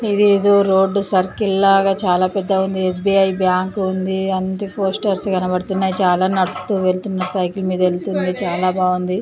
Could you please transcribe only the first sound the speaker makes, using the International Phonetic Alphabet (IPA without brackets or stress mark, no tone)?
i